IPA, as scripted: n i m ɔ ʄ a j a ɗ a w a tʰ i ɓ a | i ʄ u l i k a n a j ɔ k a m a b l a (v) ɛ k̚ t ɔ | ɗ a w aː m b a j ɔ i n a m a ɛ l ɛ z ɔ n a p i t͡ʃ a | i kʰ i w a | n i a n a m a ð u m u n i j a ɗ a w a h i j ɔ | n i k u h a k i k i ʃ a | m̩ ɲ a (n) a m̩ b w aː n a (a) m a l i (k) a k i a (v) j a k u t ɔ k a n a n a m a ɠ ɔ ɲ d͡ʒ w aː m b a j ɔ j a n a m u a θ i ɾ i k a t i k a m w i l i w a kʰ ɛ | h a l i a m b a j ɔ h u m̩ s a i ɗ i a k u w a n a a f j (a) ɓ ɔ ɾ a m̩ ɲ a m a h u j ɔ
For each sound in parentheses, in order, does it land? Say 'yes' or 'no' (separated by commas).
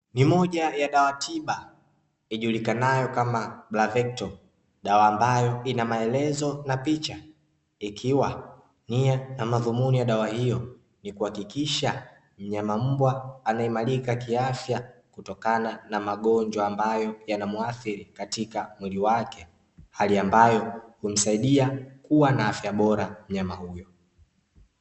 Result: yes, no, no, yes, no, yes